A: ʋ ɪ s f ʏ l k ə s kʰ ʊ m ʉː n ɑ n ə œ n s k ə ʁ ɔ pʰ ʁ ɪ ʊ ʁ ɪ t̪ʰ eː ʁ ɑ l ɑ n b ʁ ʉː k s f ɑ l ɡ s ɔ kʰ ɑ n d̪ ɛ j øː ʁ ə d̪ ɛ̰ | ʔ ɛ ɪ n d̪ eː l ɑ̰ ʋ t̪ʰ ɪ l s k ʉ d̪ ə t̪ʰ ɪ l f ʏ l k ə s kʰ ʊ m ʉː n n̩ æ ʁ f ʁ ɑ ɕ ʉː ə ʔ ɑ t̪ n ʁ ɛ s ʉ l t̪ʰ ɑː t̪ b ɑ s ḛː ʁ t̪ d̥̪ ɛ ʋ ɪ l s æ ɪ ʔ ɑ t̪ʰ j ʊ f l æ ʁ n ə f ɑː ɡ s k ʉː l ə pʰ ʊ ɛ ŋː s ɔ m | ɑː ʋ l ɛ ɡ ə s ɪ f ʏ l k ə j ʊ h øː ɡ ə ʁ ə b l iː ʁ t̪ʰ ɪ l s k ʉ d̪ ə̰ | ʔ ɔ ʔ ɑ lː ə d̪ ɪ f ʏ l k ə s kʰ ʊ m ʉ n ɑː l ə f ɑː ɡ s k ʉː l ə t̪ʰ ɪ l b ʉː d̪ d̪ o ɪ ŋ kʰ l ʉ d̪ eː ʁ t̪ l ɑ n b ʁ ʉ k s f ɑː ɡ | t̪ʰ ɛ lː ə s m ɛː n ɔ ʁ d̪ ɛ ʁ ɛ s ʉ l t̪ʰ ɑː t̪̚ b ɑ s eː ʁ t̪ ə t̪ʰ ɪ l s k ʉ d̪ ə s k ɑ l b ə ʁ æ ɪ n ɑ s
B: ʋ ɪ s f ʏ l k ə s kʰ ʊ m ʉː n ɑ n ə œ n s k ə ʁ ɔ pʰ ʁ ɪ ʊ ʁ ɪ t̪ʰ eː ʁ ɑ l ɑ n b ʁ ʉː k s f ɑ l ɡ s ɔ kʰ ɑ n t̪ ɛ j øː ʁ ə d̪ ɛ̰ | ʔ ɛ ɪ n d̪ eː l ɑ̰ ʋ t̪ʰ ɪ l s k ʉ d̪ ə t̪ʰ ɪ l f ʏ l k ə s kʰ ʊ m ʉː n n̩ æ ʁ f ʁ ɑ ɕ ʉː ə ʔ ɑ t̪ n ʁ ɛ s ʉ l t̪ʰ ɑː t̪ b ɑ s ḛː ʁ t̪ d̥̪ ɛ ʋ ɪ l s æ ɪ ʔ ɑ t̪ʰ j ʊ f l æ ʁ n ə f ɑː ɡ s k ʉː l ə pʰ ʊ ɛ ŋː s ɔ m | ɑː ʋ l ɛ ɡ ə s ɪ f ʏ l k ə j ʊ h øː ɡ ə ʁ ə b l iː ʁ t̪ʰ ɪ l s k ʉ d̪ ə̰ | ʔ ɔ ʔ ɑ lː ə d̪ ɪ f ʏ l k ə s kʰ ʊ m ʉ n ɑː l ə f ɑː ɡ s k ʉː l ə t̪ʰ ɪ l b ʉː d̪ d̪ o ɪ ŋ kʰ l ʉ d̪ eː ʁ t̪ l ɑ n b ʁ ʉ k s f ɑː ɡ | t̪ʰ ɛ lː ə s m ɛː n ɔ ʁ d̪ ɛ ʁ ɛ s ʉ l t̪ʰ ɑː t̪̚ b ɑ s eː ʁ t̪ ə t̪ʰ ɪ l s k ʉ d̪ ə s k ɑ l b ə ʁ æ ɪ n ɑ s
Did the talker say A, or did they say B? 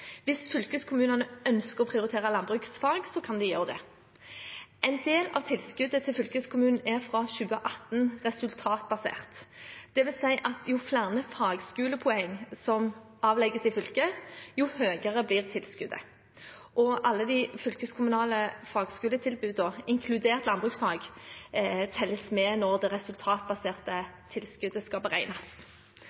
A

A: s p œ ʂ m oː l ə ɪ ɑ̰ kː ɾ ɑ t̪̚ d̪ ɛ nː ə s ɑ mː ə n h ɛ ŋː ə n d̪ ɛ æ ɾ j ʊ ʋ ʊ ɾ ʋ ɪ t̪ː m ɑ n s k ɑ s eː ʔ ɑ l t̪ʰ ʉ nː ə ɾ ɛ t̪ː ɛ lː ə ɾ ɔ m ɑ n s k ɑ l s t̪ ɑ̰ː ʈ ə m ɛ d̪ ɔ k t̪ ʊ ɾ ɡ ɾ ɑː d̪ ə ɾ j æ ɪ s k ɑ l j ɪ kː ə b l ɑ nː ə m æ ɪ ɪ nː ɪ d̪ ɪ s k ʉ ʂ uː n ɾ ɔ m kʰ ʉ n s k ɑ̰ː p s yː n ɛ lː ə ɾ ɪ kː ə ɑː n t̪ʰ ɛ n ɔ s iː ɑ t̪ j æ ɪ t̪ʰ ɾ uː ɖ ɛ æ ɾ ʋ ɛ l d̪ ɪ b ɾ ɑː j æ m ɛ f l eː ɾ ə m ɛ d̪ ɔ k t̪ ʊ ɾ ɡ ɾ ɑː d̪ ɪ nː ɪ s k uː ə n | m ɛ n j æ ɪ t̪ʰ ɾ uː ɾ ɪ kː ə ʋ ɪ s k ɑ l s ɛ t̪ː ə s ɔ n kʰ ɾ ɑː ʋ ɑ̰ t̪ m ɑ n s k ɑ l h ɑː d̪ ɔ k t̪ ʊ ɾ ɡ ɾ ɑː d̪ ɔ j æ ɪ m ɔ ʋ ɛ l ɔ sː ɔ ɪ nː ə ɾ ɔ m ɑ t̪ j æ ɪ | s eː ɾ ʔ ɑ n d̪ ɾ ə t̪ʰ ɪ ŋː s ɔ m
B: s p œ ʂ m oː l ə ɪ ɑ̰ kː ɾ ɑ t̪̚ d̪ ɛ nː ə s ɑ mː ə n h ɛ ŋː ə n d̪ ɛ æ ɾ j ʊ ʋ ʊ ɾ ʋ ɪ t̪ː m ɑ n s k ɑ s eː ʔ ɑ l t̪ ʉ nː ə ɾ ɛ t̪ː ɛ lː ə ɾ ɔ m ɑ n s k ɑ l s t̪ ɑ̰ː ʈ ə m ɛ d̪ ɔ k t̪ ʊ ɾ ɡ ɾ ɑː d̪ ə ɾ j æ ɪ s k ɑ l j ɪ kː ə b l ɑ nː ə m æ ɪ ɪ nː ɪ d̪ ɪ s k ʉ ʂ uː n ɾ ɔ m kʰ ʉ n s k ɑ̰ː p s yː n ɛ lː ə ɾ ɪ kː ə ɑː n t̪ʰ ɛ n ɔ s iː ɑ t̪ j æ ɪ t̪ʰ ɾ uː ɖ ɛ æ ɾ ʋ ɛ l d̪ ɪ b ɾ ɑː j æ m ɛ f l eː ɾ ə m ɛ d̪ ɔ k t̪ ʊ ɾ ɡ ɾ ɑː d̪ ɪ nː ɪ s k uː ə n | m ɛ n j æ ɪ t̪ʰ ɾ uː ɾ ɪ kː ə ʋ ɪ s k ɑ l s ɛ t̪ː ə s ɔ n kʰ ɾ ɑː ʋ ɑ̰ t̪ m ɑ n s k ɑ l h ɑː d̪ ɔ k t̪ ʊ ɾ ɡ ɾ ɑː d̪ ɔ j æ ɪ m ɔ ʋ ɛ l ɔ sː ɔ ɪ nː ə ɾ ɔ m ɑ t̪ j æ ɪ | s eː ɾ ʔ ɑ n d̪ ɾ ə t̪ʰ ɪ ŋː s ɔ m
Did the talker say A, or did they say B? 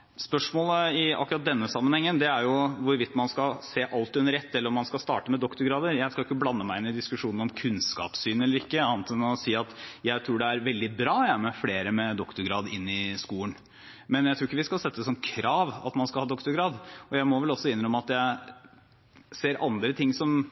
B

